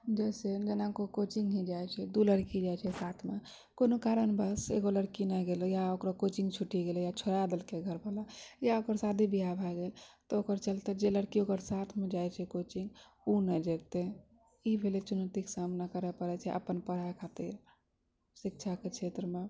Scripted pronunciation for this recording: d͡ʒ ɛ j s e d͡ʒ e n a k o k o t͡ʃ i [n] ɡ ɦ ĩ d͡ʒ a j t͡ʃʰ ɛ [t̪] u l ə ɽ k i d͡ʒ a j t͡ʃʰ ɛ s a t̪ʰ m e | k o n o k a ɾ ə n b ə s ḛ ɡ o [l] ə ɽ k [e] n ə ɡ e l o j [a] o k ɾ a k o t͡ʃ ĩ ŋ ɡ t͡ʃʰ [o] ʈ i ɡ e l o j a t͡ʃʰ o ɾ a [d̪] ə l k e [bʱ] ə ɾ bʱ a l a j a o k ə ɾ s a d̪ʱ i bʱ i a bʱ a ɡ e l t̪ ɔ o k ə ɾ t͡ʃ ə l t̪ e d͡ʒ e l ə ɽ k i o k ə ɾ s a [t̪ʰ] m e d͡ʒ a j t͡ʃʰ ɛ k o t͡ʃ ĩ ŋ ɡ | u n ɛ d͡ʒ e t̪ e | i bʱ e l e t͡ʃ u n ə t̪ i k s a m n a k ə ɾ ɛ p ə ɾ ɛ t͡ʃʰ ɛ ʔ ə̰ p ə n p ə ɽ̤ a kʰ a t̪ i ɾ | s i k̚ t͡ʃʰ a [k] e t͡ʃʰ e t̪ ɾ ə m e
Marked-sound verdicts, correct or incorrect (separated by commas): incorrect, incorrect, correct, incorrect, correct, incorrect, correct, incorrect, correct, correct